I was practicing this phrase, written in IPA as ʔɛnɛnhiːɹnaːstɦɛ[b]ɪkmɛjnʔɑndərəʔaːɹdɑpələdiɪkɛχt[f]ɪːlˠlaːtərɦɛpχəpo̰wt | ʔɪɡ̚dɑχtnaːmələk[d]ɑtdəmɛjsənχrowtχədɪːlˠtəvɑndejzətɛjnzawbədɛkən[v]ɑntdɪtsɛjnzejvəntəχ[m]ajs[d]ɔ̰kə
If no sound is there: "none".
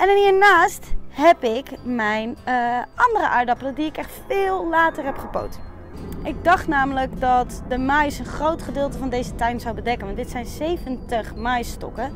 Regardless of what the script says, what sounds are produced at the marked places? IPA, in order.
p, f, d, ʋ, m, t

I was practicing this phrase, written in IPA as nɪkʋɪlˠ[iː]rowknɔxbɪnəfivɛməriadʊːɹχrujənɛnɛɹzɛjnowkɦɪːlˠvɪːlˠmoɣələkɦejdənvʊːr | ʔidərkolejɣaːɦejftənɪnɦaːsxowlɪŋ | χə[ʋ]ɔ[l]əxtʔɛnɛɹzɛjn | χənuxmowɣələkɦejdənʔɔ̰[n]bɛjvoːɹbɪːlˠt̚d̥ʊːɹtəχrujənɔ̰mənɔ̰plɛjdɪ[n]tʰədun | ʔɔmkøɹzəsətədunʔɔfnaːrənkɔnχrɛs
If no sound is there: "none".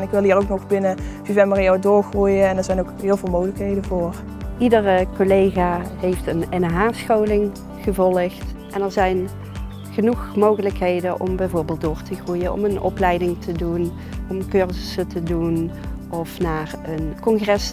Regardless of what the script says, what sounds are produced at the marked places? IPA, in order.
iː, v, l, m, ŋ

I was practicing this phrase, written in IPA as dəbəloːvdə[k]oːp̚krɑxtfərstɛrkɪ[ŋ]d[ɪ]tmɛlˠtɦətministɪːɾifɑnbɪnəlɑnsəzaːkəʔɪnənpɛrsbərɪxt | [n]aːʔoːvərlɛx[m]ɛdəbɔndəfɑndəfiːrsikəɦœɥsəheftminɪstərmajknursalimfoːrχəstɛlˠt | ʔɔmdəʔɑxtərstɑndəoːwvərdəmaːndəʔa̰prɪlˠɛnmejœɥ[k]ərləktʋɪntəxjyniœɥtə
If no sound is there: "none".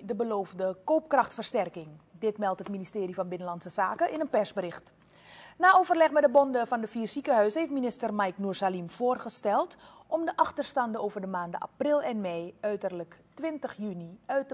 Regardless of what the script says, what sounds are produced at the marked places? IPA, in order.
k, ŋ, ɪ, n, m, t

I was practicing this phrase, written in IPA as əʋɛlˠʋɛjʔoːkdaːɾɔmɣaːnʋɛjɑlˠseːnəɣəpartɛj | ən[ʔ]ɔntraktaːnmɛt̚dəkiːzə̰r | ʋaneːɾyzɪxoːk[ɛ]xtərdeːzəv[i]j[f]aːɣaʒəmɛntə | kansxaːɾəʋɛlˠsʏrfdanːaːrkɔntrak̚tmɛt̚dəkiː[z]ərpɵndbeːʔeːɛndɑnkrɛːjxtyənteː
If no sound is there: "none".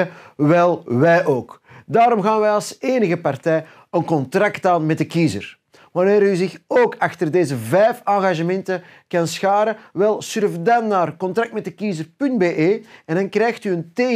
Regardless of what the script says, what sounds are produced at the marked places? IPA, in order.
k, a, ɛ, f, z

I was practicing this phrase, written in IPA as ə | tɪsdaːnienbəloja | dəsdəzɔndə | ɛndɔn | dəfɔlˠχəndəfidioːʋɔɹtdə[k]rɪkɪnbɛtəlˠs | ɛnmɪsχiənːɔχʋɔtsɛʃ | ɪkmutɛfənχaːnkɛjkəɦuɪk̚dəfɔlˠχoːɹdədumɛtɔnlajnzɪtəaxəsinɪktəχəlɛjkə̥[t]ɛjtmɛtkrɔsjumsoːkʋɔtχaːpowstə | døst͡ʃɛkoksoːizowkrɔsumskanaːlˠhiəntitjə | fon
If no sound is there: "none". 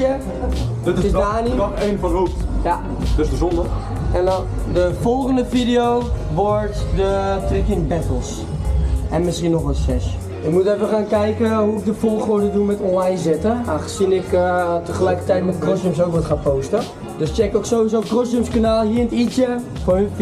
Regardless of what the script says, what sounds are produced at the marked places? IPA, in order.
t, t

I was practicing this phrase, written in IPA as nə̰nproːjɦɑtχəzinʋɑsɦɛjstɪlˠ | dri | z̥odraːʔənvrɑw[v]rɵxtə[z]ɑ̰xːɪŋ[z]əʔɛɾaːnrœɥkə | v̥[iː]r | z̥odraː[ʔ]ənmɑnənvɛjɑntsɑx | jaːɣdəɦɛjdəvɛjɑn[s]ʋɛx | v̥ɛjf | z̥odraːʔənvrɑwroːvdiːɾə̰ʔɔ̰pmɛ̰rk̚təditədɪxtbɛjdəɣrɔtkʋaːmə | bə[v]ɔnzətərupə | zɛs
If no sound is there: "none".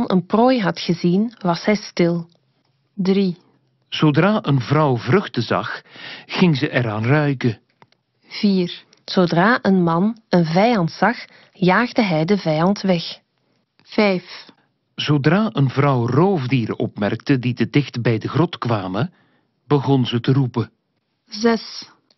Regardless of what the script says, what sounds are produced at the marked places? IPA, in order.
v, z, z, iː, ʔ, t, ɣ

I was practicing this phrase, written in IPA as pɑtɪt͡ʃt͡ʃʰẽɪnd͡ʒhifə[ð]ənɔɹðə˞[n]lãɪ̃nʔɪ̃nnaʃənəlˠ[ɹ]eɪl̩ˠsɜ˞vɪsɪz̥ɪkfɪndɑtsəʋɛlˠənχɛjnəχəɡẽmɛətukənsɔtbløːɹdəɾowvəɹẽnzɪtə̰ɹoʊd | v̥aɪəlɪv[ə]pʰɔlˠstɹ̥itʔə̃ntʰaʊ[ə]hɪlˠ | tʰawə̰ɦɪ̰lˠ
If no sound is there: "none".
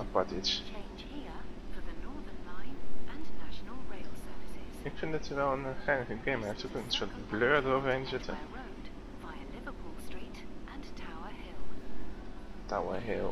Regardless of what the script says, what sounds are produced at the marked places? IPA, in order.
ð, n, ɹ, ə, ə

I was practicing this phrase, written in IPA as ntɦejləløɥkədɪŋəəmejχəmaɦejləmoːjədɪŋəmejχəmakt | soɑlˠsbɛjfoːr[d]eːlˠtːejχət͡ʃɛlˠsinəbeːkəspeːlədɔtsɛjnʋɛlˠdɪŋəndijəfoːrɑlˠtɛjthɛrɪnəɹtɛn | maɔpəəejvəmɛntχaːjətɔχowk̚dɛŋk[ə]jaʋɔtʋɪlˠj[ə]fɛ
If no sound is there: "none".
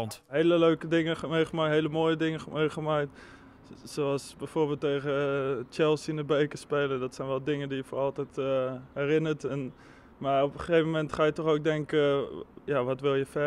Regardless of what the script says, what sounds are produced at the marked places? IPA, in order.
b, ə, ə

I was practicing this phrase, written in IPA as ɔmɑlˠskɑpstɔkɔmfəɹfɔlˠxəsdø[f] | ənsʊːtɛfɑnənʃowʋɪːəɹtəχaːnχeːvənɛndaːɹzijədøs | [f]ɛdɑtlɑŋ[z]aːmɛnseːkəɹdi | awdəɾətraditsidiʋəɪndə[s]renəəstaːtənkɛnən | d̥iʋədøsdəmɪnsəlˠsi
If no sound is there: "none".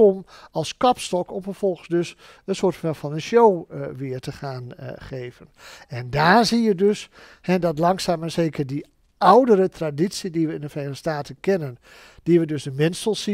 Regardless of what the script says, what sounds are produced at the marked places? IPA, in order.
s, h, s, f

